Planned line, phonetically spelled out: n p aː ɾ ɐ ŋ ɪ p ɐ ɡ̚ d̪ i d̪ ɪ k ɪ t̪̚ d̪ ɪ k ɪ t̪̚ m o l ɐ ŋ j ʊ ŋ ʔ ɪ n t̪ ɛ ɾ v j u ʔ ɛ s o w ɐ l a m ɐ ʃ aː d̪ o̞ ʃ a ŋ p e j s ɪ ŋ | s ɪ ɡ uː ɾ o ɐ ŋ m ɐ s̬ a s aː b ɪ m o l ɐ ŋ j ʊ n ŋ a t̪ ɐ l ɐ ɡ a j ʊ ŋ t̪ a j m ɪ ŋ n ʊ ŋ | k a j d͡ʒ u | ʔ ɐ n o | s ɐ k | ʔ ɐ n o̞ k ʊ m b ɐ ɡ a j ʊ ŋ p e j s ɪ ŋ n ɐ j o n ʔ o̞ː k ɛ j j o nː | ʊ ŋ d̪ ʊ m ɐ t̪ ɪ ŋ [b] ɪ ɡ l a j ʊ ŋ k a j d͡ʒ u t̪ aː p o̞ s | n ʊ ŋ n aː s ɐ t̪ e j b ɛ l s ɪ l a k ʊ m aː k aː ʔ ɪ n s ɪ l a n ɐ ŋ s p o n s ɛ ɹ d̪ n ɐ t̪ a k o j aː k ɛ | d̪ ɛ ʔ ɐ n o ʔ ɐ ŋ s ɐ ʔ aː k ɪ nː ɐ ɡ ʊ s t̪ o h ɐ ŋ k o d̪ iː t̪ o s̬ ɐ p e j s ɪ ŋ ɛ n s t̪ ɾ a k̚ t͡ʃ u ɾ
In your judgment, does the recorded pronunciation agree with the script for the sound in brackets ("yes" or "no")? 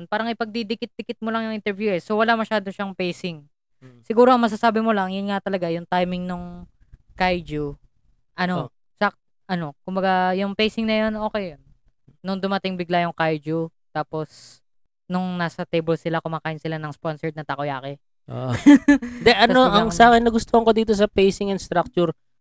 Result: yes